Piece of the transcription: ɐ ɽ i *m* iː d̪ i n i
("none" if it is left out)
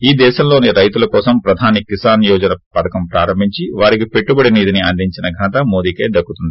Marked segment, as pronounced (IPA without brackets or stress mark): n